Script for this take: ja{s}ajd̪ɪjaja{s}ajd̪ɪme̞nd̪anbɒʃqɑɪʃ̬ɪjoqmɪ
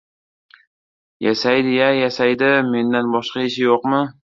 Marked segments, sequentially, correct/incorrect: correct, correct

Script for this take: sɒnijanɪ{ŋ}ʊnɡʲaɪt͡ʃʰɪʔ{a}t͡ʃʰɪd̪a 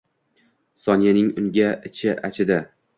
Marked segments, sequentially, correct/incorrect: correct, correct

